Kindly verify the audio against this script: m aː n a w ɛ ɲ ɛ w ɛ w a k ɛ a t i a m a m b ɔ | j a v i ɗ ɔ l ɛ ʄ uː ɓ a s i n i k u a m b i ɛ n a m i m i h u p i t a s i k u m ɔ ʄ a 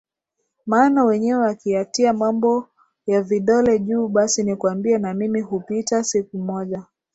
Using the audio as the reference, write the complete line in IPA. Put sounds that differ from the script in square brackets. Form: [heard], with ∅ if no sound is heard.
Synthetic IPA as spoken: m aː n a w ɛ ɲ ɛ w ɛ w a k [i] a t i a m a m b ɔ | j a v i ɗ ɔ l ɛ ʄ uː ɓ a s i n i k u a m b i ɛ n a m i m i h u p i t a s i k u m ɔ ʄ a